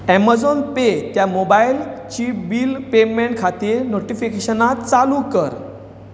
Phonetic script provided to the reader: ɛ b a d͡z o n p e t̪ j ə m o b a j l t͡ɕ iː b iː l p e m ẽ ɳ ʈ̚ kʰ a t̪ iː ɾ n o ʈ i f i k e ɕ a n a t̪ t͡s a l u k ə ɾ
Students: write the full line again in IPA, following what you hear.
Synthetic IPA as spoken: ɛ m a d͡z o n p e t̪ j a m o b a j l t͡ɕ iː b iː l p e m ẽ ɳ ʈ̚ kʰ a t̪ iː ɾ n o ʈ i f i k e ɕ ə n a t̪ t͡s a l u k ə ɾ